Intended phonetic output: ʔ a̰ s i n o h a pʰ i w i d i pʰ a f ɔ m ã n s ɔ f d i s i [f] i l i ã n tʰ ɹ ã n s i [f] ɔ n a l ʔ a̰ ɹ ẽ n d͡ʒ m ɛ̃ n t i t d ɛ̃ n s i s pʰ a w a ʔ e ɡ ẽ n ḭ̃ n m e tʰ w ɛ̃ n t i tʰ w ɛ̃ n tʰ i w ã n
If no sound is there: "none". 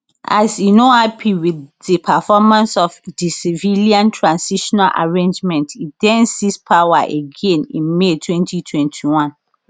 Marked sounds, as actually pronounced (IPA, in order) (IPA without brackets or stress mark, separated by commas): v, ʃ